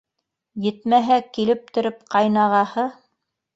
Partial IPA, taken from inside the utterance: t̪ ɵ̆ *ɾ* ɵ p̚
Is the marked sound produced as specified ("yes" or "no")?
yes